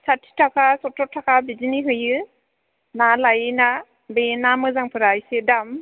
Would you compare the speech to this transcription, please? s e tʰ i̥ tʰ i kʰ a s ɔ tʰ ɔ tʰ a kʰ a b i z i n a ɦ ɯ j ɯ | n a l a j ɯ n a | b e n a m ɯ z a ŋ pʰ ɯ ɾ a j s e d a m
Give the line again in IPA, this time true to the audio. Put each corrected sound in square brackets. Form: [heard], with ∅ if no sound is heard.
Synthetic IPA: s [a] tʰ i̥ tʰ [a] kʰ a s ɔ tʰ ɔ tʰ a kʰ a b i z i n [i] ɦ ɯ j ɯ | n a l a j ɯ n a | b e n a m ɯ z a ŋ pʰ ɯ ɾ a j s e d a m